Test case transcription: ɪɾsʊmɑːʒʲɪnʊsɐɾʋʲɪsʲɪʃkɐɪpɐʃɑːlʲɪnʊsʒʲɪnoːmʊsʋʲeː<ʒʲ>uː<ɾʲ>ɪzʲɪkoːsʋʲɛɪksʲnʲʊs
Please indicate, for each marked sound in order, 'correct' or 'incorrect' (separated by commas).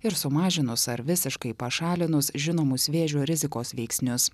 correct, correct